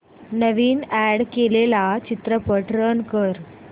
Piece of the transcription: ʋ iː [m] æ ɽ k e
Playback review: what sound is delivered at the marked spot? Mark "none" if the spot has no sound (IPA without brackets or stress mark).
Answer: n